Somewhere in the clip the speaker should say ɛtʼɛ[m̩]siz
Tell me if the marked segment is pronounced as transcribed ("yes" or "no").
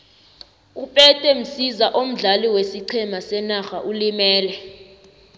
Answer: yes